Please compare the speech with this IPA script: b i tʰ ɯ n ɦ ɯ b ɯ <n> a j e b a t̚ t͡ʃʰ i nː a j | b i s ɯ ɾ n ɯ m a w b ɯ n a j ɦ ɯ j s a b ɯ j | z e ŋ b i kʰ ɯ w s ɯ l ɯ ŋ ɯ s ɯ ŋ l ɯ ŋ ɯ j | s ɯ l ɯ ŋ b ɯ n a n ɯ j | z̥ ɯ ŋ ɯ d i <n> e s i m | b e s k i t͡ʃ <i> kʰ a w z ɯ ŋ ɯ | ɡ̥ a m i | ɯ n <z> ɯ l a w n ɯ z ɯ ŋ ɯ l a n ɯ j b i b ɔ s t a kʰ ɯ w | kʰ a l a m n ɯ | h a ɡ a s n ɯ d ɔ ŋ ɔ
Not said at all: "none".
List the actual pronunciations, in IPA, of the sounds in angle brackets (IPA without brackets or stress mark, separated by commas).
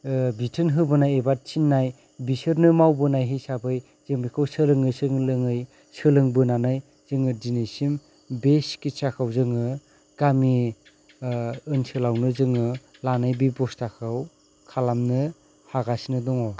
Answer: n, n, a, s